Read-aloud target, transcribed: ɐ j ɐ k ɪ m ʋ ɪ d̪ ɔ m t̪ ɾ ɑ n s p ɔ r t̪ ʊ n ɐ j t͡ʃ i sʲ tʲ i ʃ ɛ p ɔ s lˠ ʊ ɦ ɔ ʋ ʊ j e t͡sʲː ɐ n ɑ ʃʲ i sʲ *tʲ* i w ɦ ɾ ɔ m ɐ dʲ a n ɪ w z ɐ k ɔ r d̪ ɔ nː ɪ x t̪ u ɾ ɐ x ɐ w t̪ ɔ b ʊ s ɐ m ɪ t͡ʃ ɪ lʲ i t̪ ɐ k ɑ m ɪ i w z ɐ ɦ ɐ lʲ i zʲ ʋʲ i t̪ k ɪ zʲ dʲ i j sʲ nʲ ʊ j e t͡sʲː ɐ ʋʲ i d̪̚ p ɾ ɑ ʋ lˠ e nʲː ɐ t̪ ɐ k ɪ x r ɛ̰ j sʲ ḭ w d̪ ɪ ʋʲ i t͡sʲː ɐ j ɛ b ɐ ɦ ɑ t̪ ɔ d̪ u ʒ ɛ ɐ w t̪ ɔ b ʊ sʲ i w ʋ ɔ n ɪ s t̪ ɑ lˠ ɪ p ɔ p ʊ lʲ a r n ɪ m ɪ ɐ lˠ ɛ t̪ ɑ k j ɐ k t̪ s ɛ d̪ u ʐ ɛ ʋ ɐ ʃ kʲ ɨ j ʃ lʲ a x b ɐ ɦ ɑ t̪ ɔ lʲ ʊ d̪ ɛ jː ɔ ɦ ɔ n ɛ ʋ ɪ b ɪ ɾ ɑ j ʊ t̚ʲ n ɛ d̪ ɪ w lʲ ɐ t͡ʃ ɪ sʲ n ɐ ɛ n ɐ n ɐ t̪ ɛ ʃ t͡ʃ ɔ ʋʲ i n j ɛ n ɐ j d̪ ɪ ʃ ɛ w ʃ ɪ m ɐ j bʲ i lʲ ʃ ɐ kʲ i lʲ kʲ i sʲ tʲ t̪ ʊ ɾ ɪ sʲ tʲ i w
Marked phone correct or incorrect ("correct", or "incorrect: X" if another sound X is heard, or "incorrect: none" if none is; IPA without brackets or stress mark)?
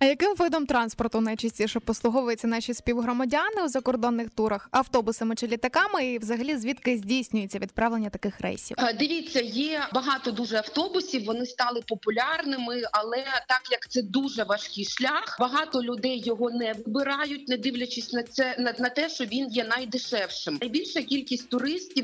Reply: incorrect: pʲ